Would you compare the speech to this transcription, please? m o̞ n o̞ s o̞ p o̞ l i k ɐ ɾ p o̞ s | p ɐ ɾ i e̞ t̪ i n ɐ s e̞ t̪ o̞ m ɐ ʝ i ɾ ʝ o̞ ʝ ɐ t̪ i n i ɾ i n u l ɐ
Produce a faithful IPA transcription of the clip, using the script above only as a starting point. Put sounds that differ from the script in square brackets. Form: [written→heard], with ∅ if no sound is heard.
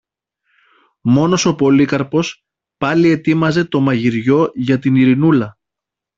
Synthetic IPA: m o̞ n o̞ s o̞ p o̞ l i k ɐ ɾ p o̞ s | p ɐ [ɾ→l] i e̞ t̪ i [n→m] ɐ [s→z] e̞ t̪ o̞ m ɐ ʝ i ɾ ʝ o̞ ʝ ɐ t̪ i n i ɾ i n u l ɐ